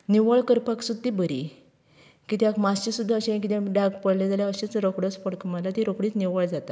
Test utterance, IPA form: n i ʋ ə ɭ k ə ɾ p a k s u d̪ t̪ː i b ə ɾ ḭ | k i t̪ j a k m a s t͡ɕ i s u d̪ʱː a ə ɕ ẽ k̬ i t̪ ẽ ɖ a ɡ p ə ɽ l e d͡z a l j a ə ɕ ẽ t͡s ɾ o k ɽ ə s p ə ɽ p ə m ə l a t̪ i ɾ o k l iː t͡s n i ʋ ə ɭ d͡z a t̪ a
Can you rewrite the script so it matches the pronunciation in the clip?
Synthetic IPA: n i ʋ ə ɭ k ə ɾ p a k s u d̪ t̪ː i b ə ɾ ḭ | k i t̪ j a k m a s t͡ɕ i s u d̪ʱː a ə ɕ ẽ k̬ i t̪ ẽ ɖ a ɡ p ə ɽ l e d͡z a l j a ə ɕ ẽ t͡s ɾ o k ɽ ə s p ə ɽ k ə m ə l a t̪ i ɾ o k ɽ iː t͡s n i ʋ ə ɭ d͡z a t̪ a